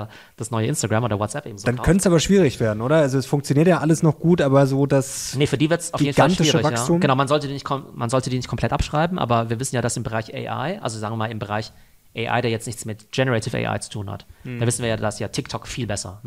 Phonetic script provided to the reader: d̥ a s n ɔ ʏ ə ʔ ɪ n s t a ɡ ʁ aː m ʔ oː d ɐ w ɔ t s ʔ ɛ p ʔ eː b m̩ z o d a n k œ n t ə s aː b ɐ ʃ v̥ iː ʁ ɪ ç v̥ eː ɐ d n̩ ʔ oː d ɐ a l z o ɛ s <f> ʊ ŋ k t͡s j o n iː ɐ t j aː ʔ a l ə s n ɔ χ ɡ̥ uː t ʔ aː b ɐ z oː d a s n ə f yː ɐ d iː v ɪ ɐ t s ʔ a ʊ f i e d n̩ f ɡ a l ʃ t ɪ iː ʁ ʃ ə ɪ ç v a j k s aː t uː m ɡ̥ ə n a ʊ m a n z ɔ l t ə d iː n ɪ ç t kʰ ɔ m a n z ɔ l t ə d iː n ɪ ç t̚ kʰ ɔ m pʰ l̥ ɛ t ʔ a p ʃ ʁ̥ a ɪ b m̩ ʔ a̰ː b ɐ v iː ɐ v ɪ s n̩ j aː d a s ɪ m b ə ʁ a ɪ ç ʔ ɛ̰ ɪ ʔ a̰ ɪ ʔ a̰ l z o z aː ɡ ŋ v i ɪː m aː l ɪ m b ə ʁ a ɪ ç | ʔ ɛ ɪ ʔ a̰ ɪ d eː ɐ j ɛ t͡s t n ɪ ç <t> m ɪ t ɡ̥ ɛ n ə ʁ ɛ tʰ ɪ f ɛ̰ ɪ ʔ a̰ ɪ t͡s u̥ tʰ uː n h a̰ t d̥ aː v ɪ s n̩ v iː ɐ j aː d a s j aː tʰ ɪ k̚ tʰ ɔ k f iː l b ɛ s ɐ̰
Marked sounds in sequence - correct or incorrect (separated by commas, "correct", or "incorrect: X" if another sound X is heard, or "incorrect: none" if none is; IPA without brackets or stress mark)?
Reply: correct, incorrect: t͡s